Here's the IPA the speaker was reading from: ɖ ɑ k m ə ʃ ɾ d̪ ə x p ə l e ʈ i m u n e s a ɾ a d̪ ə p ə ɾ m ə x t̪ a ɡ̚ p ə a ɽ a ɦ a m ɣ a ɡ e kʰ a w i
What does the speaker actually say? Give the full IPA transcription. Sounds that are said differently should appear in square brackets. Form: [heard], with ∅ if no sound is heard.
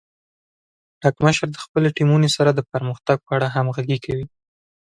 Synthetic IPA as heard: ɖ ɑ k m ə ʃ ɾ d̪ ə x p ə l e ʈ i m u n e s a ɾ a d̪ ə p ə ɾ m ə x t̪ a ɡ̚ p ə a ɽ a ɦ a m ɣ a ɡ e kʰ a w i